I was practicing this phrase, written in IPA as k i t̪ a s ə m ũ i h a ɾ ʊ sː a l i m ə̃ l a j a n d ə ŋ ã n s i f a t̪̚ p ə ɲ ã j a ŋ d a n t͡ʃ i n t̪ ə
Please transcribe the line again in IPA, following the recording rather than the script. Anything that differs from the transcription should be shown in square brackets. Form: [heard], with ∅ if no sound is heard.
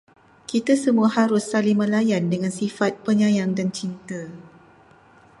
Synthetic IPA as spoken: k i t̪ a s ə m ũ [a] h a ɾ ʊ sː a l i m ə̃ l a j a n d ə ŋ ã n s i f a t̪̚ p ə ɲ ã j a ŋ d a n t͡ʃ i n t̪ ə